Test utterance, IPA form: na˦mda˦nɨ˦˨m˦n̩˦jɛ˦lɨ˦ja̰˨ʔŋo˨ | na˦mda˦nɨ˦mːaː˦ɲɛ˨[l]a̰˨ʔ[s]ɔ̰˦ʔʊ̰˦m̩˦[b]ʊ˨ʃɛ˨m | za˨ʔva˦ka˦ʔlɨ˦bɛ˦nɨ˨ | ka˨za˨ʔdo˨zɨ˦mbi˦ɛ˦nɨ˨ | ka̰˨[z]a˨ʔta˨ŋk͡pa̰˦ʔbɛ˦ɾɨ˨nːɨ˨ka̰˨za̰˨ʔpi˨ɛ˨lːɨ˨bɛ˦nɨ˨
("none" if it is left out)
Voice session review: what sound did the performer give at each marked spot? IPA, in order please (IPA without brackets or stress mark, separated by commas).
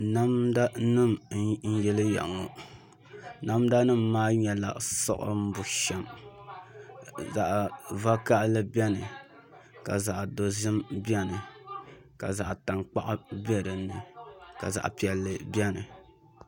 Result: l, s, b, z